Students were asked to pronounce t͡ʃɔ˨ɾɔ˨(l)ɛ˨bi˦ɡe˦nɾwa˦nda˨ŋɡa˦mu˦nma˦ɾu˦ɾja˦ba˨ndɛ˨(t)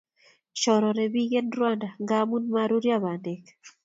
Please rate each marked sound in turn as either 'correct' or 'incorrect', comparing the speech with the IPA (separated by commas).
incorrect, incorrect